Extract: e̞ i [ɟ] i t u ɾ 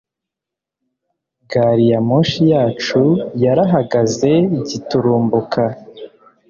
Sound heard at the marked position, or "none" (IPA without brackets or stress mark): ɟ